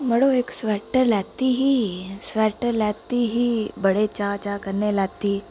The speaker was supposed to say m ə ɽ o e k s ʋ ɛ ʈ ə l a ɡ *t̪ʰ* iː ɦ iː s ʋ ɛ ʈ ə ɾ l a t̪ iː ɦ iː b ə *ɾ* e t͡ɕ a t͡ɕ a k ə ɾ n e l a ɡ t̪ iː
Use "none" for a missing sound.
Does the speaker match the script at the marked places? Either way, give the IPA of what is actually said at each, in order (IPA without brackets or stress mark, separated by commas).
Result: t̪, ɽ